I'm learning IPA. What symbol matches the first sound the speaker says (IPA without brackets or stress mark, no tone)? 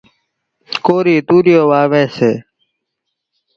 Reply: k